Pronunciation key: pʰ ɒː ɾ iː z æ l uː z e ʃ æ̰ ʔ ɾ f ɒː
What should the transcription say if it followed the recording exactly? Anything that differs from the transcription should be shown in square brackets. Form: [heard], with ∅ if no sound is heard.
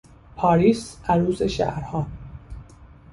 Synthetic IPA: pʰ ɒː ɾ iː [s] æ [ɾ] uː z e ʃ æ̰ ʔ ɾ [h] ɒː